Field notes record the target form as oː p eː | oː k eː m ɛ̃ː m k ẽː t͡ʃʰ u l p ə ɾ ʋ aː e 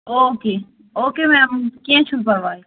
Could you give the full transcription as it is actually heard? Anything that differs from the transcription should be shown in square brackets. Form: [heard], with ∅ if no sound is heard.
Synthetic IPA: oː [k] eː | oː k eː m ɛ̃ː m k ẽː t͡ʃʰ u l p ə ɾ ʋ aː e